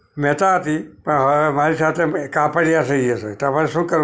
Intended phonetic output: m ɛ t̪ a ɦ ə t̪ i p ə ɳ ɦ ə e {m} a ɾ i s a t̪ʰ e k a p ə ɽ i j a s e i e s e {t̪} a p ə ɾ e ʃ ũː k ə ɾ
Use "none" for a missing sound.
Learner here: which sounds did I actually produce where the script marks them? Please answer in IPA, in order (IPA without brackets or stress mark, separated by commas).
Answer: m, t̪